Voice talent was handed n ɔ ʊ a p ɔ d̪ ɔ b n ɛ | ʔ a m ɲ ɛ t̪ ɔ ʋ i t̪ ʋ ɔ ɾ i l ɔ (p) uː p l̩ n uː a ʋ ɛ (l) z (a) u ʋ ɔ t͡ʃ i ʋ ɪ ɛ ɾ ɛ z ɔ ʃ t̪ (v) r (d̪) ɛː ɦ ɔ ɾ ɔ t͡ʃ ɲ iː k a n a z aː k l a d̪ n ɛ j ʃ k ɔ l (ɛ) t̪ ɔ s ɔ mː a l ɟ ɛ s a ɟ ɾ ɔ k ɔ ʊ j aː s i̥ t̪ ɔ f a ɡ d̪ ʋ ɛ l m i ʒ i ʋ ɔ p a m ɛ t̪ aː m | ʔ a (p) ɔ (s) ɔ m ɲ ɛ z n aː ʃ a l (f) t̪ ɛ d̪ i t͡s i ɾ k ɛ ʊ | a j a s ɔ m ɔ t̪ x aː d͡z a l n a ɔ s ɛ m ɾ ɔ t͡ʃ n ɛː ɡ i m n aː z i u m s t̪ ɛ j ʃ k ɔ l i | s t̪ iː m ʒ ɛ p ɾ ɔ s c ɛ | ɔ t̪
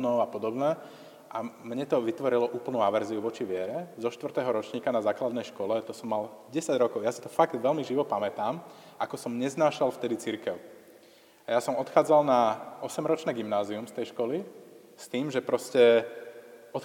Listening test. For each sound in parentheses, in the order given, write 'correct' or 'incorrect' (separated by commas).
incorrect, incorrect, incorrect, incorrect, incorrect, correct, incorrect, correct, correct